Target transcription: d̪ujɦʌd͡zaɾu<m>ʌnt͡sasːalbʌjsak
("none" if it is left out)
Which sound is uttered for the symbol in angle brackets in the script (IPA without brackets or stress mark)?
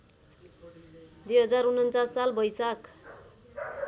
n